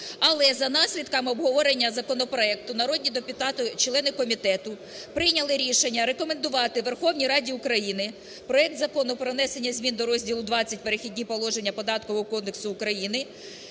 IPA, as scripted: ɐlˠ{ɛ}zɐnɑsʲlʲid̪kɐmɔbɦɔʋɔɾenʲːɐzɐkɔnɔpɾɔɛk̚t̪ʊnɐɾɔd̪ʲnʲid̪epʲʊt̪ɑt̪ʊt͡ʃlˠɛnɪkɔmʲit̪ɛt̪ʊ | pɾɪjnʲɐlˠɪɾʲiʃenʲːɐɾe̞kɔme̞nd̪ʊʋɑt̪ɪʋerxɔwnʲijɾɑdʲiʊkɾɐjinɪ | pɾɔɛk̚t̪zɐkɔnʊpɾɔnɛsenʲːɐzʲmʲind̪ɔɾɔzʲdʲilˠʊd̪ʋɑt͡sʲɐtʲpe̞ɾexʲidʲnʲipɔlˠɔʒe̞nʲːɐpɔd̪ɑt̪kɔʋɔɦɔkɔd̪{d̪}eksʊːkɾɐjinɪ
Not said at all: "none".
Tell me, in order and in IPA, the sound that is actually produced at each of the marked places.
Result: ɛ, d̪

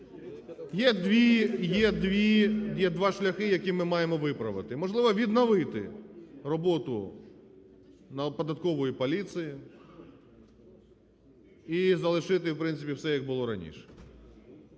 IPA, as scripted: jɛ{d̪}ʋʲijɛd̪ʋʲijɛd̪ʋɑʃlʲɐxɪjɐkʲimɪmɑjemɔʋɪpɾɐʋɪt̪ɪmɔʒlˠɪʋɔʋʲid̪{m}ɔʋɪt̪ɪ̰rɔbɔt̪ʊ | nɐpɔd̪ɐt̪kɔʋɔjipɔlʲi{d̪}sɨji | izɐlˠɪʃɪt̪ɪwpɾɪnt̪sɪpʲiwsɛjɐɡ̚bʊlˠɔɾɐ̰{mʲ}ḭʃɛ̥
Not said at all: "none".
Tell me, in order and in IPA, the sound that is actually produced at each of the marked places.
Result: d̪, n, t̪, nʲ

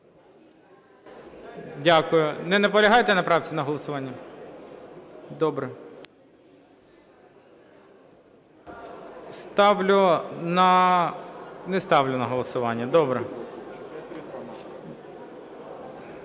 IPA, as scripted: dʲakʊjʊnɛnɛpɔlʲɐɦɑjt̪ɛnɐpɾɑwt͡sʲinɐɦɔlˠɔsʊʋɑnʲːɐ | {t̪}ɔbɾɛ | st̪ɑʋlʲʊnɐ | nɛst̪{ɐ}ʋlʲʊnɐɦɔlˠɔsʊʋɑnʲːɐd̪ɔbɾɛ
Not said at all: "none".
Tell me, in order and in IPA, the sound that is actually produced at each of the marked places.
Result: d̪, ɑ

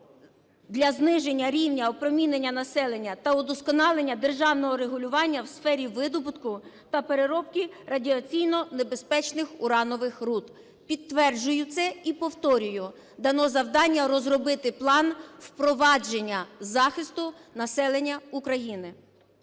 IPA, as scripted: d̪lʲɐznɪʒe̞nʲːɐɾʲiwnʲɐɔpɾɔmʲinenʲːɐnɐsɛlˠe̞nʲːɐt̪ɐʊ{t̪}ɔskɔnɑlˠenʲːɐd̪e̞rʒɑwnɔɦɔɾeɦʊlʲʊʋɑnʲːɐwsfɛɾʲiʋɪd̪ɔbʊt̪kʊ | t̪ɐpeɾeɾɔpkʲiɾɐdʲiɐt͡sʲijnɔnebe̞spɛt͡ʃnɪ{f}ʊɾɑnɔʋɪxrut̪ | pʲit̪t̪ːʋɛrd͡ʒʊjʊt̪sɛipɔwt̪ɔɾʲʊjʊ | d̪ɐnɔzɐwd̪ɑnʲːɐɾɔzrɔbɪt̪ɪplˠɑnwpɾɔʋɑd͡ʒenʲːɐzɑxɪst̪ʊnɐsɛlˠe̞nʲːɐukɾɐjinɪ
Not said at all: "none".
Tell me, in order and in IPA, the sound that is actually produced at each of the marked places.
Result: d̪, x

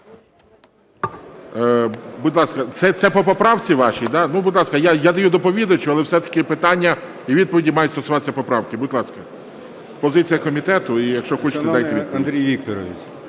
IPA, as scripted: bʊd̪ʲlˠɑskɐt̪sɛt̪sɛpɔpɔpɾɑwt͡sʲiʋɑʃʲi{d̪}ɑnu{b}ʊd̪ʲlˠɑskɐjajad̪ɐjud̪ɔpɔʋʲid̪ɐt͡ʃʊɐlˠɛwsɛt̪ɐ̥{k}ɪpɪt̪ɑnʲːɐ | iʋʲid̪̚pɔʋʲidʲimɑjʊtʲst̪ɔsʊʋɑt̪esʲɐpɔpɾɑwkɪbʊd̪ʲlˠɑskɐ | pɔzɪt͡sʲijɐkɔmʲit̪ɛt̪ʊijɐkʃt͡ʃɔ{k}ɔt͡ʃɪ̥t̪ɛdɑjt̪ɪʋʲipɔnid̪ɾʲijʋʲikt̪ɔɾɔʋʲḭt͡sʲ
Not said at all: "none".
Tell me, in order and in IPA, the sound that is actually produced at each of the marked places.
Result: d̪, b, k, x

